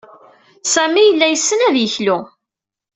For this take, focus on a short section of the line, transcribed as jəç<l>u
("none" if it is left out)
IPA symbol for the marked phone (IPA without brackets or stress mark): l